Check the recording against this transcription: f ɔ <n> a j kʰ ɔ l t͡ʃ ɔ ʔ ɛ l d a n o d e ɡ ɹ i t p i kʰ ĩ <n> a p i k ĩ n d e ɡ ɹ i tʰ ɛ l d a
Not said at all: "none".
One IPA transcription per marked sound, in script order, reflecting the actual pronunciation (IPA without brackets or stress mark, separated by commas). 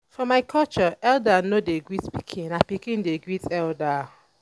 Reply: m, n